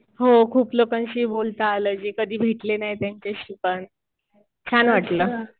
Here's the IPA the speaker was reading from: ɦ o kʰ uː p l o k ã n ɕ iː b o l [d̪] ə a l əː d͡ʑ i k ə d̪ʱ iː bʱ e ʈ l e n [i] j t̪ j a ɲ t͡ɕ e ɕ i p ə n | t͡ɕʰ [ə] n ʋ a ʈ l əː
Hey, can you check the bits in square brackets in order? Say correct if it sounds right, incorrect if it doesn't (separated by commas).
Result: incorrect, incorrect, incorrect